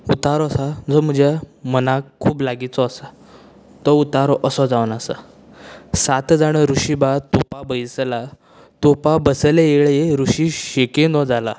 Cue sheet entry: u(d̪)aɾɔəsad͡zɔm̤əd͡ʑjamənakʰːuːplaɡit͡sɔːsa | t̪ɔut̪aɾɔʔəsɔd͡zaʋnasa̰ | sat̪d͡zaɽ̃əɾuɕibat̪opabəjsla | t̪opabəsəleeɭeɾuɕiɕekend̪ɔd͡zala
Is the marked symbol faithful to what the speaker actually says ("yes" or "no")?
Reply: no